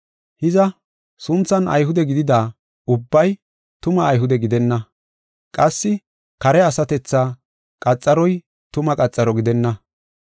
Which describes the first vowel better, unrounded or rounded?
unrounded